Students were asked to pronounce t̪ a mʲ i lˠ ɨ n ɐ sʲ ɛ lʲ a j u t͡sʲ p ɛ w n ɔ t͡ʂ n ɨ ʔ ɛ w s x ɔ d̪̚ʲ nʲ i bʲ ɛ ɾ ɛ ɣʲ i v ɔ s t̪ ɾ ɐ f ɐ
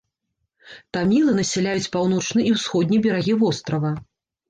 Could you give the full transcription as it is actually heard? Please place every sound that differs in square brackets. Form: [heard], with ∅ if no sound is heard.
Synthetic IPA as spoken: t̪ a mʲ i lˠ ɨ n ɐ sʲ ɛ lʲ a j u t͡sʲ p [a] w n ɔ t͡ʂ n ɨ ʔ [i] w s x ɔ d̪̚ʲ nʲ i bʲ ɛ ɾ [a] ɣʲ i v ɔ s t̪ ɾ ɐ [v] ɐ